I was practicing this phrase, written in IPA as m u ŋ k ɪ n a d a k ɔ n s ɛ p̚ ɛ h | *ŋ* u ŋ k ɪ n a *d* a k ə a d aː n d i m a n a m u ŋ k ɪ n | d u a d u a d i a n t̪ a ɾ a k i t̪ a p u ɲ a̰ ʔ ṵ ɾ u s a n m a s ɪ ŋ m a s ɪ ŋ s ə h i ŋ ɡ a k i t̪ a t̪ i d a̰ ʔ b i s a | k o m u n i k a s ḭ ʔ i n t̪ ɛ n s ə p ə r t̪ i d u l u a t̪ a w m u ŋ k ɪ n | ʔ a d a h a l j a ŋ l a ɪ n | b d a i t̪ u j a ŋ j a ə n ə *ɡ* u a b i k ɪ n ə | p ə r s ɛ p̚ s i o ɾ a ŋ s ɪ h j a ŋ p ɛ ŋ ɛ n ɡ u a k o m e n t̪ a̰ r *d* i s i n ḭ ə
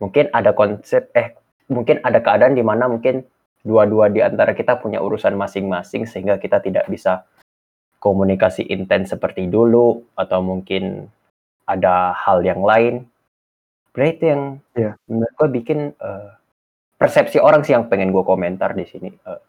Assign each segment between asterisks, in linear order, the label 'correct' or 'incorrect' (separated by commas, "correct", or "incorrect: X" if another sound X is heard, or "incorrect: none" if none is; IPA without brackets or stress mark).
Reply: incorrect: m, correct, correct, correct